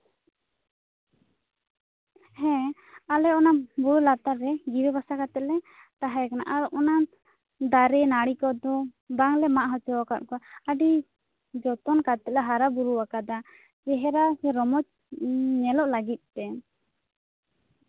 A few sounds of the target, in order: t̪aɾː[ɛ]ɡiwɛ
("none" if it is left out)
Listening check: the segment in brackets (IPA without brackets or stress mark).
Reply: ɛ